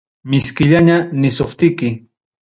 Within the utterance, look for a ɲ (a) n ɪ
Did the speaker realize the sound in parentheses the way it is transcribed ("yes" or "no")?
yes